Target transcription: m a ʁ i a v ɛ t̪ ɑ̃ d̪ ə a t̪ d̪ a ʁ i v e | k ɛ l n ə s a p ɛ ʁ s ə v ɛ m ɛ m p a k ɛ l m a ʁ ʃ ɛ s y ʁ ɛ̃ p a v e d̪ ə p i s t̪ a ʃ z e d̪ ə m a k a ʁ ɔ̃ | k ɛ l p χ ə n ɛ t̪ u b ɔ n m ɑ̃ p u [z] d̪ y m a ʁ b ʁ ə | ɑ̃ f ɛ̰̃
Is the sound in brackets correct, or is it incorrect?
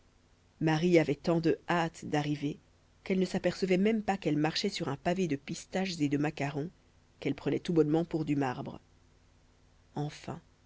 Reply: incorrect